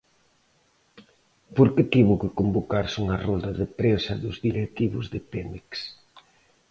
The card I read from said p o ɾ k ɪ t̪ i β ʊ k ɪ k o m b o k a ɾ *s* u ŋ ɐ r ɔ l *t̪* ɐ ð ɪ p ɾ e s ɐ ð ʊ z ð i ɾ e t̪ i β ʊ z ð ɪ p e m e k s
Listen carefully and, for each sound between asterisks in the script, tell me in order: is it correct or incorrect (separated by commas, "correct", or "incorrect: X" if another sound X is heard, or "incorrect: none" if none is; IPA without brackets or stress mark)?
correct, incorrect: d̪